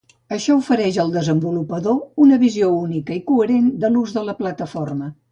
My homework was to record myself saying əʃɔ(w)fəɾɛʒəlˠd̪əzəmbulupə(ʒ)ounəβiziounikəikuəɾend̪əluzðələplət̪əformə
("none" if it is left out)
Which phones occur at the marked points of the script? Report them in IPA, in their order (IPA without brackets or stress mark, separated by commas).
u, ð